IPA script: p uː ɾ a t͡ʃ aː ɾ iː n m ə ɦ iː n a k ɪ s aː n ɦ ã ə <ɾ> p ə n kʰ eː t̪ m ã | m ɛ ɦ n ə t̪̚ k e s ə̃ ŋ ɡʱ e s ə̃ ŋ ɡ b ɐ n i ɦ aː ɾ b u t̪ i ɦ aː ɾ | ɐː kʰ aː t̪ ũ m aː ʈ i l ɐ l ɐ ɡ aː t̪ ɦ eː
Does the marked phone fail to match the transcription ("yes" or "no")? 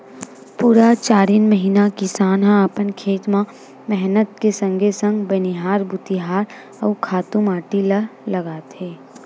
yes